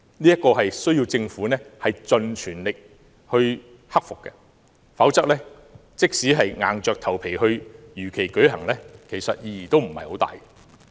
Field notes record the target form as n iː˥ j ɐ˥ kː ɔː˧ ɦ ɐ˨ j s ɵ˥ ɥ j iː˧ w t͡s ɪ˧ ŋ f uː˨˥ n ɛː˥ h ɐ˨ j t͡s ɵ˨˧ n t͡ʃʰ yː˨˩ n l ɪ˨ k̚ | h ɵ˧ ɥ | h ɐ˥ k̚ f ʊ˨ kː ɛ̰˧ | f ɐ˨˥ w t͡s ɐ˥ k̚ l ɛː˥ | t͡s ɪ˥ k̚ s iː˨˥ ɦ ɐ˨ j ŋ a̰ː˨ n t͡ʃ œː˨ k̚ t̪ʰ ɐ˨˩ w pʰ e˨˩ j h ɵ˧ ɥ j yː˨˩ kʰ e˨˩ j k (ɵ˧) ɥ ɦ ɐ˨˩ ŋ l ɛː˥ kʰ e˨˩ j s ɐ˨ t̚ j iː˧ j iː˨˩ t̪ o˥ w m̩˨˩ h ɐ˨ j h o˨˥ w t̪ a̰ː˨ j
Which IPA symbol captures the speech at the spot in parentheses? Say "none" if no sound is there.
ɵ˨˥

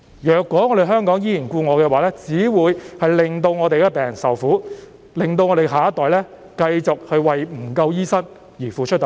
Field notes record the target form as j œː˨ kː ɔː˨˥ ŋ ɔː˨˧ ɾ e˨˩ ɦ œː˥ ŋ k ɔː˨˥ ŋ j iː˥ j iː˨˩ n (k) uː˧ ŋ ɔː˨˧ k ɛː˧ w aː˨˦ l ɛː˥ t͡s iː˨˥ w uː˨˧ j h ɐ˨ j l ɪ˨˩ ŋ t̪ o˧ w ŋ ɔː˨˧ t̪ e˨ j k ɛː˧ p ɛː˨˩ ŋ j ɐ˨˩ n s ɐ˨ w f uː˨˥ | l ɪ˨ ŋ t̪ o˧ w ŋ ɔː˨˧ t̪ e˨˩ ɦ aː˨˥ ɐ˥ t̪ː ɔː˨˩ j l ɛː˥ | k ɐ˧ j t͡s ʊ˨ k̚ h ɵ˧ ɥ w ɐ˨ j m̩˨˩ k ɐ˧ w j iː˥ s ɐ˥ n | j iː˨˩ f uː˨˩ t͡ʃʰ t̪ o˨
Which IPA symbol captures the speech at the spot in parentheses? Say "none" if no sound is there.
k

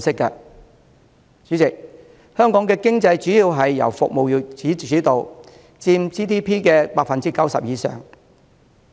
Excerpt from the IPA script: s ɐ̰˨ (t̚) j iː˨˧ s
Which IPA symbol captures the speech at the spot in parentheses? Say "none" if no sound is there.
p̚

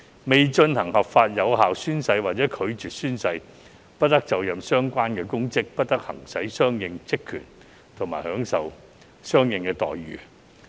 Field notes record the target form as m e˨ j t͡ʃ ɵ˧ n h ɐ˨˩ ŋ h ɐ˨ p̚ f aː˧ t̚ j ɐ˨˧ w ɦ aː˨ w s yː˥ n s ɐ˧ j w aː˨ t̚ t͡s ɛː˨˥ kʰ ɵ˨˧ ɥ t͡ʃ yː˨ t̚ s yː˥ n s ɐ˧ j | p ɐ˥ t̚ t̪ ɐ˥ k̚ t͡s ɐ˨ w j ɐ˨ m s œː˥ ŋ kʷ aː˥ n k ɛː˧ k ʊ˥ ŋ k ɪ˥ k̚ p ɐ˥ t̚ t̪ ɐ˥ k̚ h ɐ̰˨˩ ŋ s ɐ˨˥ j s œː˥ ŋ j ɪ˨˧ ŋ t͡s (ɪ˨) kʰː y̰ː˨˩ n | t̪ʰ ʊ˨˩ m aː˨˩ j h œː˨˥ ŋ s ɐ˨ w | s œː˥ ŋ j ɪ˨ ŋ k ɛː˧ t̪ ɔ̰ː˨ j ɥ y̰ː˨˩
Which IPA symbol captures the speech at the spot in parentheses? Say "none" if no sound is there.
ɪ˥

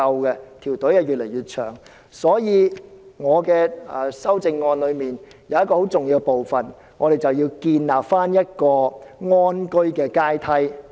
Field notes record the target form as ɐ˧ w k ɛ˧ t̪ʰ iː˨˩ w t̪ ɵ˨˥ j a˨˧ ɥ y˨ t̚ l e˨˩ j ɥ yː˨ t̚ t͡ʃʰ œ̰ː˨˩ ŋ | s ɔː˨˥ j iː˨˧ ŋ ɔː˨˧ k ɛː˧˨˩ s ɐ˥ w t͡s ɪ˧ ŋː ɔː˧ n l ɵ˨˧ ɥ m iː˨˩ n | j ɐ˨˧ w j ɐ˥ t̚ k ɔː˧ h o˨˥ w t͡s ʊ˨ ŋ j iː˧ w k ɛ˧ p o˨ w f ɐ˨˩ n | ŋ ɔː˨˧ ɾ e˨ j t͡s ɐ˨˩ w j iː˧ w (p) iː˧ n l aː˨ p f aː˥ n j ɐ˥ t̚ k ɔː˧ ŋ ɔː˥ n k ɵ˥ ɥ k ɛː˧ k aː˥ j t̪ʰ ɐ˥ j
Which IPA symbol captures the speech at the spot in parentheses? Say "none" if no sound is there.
k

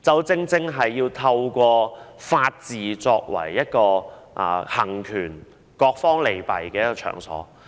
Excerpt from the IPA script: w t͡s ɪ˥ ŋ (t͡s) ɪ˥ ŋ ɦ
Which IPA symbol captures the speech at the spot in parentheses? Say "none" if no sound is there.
t͡s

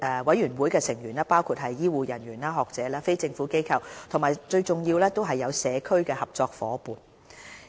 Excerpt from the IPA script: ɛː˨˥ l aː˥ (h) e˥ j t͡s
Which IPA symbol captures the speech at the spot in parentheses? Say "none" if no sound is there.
f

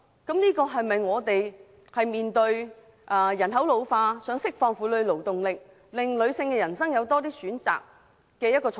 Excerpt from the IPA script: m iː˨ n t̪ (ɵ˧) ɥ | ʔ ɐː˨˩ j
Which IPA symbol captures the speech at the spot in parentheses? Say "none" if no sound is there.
ɵ˧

